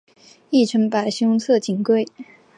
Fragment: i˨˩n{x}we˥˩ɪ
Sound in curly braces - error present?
yes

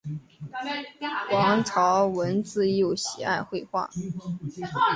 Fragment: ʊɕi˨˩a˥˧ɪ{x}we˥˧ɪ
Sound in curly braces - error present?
no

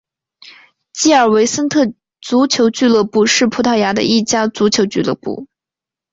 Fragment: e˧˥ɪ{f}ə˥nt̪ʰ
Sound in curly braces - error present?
yes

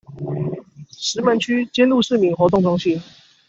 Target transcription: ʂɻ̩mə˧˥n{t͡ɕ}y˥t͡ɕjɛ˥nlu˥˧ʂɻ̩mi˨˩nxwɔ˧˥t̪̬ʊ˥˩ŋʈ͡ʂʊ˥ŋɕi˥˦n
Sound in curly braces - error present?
yes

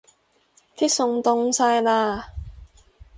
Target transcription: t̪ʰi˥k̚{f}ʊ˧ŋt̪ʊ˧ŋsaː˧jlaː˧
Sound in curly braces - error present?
yes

